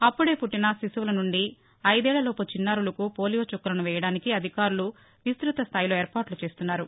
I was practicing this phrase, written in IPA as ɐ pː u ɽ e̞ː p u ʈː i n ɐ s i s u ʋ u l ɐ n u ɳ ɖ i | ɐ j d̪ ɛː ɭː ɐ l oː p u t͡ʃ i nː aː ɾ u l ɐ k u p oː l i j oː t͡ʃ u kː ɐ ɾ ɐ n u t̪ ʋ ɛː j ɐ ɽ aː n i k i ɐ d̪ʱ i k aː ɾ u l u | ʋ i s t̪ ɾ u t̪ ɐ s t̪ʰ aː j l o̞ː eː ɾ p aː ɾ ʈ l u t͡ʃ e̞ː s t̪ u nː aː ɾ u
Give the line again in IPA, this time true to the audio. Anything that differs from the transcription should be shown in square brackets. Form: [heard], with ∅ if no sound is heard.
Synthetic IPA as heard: ɐ pː u ɽ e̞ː p u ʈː i n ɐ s i s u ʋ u l ɐ n u ɳ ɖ i | ɐ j d̪ ɛː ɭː ɐ l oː p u t͡ʃ i nː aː ɾ u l ɐ k u p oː l i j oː t͡ʃ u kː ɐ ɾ ɐ n u [∅] ʋ ɛː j ɐ ɽ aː n i k i ɐ d̪ʱ i k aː ɾ u l u | ʋ i s t̪ ɾ u t̪ ɐ s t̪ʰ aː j l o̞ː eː ɾ p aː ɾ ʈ l u t͡ʃ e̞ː s t̪ u nː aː ɾ u